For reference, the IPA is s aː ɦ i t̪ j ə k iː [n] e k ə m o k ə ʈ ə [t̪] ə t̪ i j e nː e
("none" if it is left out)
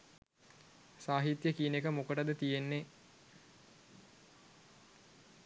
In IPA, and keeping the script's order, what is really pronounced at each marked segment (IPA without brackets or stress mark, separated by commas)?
n, d̪